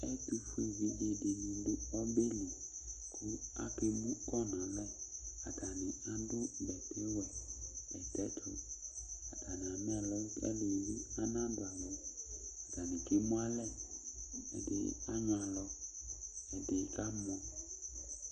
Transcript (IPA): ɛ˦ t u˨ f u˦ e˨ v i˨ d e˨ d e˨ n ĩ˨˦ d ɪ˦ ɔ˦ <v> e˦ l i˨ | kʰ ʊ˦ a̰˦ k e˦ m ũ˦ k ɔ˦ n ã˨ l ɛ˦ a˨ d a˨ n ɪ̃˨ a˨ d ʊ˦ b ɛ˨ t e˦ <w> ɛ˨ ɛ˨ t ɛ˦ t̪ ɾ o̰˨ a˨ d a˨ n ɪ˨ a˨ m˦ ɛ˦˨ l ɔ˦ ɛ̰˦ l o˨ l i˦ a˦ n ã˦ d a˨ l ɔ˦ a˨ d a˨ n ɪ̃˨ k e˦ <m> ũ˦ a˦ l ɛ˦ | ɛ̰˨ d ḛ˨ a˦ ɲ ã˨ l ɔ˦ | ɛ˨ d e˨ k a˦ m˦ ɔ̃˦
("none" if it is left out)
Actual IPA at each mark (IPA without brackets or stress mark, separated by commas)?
b, w, m